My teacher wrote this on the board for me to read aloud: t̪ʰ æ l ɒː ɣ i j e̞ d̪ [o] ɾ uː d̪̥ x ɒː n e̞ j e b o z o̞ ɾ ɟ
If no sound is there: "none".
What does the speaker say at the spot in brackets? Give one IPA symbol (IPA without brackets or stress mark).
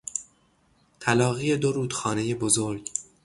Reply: o